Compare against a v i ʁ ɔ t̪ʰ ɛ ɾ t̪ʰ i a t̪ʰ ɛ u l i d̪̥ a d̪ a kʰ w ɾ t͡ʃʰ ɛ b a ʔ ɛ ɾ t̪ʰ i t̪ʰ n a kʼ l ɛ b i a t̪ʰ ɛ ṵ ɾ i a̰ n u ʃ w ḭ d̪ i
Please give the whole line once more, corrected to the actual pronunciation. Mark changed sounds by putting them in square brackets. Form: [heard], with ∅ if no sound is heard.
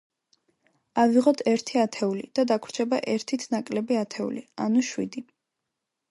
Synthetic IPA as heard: a v i ʁ ɔ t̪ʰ ɛ ɾ t̪ʰ i a t̪ʰ ɛ u l i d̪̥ a d̪ a kʰ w ɾ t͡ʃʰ ɛ b a ʔ ɛ ɾ t̪ʰ i t̪ʰ n a kʼ l ɛ b i a t̪ʰ ɛ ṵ [l] i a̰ n u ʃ w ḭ d̪ i